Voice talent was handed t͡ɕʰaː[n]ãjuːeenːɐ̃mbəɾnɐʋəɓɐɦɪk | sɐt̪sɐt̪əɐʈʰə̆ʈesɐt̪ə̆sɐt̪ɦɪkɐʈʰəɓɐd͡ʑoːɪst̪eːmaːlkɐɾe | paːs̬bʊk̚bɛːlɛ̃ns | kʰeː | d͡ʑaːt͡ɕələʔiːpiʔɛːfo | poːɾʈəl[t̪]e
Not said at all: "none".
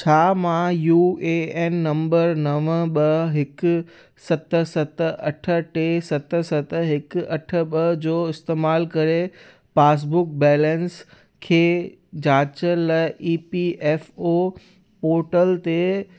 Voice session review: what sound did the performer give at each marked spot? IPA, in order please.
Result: m, t̪

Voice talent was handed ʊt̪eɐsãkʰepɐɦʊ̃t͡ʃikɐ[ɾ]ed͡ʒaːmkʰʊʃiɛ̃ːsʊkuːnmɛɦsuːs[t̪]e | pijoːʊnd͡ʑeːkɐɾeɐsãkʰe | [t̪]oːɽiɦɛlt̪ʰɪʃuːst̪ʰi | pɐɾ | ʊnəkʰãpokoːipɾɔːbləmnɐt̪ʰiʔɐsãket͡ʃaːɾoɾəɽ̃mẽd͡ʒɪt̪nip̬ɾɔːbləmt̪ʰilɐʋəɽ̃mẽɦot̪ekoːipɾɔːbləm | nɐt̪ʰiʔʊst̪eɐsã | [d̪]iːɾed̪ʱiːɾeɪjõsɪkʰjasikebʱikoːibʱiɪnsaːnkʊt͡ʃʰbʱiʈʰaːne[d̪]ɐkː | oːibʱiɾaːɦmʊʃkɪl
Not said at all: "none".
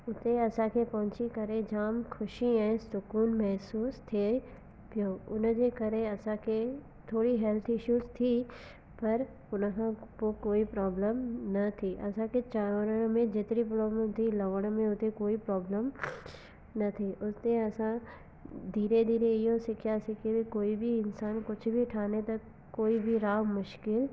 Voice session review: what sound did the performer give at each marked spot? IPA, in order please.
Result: ɾ, t̪ʰ, t̪ʰ, d̪, t̪

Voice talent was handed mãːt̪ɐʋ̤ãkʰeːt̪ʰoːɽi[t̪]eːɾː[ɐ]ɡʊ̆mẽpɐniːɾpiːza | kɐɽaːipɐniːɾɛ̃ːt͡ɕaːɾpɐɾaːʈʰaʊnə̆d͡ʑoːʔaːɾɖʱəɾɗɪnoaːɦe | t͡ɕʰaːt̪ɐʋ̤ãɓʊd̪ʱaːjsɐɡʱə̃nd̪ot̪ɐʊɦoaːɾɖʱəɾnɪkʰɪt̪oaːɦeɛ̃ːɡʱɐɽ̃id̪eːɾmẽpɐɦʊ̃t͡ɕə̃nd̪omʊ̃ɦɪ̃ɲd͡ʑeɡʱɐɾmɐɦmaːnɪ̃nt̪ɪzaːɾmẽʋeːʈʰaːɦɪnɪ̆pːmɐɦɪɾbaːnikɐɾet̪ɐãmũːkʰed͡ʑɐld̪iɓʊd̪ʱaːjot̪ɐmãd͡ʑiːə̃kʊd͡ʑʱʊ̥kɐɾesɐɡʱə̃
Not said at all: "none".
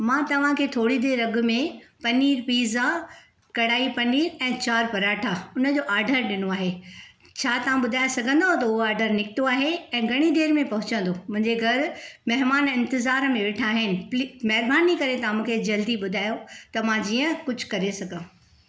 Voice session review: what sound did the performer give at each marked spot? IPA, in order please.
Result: d̪, ɐ

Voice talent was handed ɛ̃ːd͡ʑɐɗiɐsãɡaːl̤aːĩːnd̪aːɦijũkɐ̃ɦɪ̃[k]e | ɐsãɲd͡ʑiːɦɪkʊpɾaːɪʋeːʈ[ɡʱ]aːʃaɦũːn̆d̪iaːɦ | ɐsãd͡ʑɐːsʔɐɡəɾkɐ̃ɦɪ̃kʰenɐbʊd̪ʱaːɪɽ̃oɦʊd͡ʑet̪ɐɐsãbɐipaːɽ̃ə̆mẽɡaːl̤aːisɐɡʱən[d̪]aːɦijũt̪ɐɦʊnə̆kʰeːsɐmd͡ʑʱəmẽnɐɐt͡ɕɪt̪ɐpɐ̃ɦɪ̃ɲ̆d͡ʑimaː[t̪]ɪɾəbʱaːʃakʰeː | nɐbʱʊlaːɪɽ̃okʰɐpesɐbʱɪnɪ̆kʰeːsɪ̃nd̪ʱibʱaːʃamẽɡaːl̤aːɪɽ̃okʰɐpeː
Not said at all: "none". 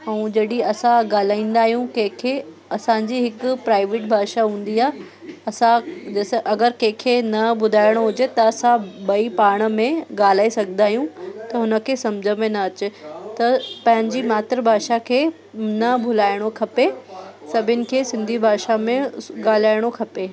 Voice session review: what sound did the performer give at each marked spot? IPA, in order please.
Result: kʰ, bʱ, d̪, t̪

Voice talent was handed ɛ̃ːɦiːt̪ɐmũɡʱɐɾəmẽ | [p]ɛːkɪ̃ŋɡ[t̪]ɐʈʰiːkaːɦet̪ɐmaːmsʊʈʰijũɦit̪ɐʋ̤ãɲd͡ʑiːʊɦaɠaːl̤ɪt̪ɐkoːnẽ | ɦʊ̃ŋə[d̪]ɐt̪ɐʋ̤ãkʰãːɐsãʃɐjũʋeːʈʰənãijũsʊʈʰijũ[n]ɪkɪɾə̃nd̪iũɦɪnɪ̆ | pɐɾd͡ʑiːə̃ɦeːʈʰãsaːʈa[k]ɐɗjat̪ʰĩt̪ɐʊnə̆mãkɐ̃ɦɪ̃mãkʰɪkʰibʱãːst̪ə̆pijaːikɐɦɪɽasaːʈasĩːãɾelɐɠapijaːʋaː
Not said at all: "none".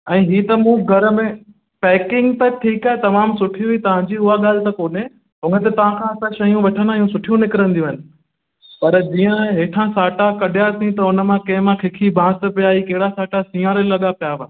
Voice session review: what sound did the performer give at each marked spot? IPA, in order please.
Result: p, t̪, t̪, n, k

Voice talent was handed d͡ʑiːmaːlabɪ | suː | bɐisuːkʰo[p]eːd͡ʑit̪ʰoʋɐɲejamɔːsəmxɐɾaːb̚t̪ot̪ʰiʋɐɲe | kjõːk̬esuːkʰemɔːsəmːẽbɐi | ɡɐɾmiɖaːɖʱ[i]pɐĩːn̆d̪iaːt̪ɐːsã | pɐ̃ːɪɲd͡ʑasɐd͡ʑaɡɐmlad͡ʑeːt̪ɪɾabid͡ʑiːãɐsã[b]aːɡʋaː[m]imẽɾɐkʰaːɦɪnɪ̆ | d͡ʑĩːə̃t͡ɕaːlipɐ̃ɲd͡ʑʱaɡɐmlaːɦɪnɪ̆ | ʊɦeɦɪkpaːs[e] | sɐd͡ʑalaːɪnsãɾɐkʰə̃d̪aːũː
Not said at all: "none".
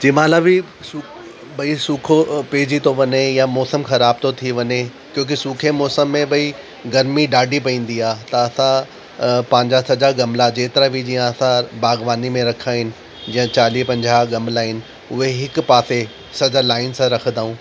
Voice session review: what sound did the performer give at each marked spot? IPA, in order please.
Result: p, i, b, n, e

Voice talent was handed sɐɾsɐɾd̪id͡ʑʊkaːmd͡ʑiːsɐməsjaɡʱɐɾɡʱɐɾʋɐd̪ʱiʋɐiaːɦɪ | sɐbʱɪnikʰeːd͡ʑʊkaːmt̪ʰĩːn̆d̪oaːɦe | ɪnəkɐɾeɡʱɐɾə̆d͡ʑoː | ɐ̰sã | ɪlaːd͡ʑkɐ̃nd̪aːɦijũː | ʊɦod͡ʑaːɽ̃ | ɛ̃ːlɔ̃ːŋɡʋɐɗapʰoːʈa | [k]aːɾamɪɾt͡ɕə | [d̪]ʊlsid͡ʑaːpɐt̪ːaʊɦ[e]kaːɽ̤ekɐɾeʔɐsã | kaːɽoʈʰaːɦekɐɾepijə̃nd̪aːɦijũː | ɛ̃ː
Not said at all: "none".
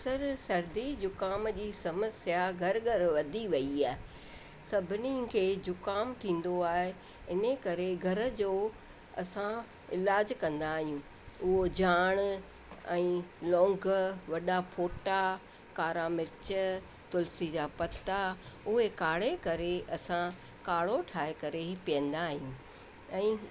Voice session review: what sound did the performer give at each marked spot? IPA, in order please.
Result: k, t̪, e

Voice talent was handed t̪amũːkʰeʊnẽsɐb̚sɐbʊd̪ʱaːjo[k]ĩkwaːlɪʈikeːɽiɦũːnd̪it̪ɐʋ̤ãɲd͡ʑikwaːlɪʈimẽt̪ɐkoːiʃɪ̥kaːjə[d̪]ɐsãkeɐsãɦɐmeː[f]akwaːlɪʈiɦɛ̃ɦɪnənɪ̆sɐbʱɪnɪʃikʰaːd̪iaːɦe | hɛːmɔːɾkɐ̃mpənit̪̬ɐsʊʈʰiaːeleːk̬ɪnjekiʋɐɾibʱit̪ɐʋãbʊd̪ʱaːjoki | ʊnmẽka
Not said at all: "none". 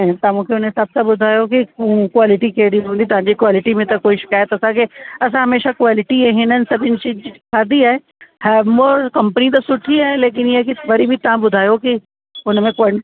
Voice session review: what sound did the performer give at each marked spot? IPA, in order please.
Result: k, t̪, ʃ

